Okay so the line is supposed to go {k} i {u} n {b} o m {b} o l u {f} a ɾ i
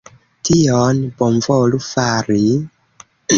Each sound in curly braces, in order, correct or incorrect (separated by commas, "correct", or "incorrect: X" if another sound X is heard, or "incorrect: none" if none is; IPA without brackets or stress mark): incorrect: t, incorrect: o, correct, incorrect: v, correct